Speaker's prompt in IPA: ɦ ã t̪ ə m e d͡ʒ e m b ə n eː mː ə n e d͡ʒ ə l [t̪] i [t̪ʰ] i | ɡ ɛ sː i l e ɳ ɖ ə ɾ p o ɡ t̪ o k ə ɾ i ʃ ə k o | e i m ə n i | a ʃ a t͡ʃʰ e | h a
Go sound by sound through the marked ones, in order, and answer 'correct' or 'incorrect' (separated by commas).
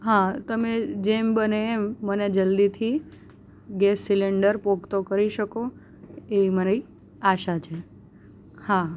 incorrect, correct